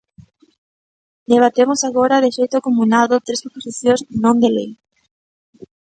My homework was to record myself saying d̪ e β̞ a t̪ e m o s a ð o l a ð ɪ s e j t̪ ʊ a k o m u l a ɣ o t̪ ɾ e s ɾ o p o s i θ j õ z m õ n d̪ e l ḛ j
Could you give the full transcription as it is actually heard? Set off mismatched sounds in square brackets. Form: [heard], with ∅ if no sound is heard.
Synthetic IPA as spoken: d̪ e β̞ a t̪ e m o s a [ɣ] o [ɾ] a ð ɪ [ʃ] e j t̪ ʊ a k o m u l a [ð] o t̪ ɾ e s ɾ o p o s i θ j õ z [n] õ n d̪ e l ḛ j